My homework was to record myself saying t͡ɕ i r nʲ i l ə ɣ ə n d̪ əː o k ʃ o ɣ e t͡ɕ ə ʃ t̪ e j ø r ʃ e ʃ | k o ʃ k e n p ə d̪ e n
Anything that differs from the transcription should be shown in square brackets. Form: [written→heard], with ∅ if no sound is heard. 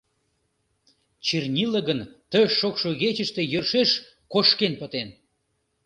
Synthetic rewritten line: t͡ɕ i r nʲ i l ə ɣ ə n [d̪→t̪] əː o k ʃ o ɣ e t͡ɕ ə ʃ t̪ e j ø r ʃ e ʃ | k o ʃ k e n p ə [d̪→t̪] e n